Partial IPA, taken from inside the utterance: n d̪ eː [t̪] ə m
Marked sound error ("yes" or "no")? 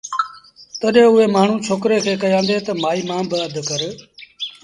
no